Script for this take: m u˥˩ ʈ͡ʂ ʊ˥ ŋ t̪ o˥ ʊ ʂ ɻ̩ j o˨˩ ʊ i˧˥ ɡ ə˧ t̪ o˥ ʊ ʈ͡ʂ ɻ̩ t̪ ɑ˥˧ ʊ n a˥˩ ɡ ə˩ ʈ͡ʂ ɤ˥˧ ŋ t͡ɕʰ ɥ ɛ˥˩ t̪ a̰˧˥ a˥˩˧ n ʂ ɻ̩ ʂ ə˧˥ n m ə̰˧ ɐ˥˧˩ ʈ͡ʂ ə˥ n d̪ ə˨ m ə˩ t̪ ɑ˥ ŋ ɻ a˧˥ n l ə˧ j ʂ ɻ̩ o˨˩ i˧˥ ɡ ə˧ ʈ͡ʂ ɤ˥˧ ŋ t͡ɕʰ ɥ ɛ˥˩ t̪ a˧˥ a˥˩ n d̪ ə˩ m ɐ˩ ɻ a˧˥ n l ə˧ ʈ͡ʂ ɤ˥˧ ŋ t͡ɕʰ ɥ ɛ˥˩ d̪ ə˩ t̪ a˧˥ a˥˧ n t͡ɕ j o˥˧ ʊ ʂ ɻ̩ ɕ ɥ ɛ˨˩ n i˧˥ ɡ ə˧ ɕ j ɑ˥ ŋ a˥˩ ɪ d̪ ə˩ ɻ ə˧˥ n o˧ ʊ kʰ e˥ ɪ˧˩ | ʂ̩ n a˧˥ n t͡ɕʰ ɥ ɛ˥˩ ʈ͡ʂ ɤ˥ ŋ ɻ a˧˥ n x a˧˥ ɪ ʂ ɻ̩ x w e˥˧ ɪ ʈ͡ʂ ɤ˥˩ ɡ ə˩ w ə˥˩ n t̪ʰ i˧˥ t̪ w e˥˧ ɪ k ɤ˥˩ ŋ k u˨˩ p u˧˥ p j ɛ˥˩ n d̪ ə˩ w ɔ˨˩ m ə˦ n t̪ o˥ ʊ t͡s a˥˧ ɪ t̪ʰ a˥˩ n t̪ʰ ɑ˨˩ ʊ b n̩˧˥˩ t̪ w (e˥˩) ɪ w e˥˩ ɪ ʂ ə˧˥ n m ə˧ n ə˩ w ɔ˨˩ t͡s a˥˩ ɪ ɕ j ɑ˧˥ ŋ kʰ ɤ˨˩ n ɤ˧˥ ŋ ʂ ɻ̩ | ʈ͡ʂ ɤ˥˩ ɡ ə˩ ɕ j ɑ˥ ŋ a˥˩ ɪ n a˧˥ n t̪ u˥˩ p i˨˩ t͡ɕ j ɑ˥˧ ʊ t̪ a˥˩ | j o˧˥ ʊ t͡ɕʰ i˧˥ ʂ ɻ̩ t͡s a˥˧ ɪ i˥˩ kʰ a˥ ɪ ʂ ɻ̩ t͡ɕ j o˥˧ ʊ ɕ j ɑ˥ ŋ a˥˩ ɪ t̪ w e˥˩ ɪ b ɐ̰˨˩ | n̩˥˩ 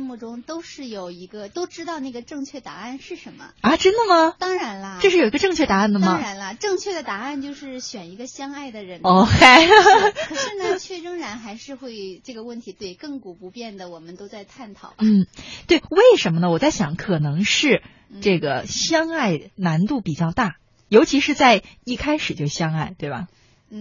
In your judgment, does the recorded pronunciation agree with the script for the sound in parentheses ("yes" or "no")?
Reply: yes